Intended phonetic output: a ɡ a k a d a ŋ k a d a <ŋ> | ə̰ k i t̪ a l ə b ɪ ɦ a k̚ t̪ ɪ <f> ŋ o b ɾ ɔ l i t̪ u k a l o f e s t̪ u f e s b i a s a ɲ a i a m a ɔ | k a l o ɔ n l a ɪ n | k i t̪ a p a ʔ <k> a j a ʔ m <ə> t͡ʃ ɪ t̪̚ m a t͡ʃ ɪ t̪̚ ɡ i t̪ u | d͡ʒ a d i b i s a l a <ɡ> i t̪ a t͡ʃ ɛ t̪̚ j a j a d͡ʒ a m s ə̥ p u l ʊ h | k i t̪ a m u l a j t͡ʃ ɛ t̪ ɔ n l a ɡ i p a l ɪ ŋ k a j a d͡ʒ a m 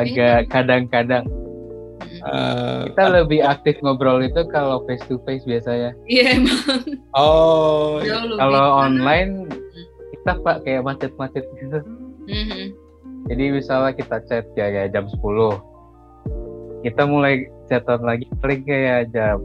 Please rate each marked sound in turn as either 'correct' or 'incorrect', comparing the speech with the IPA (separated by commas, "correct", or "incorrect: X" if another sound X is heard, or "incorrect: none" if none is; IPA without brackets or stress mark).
correct, correct, correct, incorrect: a, incorrect: k